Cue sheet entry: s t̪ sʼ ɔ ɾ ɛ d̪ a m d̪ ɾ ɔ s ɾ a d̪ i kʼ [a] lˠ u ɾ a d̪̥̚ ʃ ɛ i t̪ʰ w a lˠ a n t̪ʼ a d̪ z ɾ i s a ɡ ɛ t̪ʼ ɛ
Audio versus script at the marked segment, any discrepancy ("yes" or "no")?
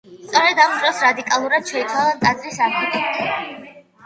no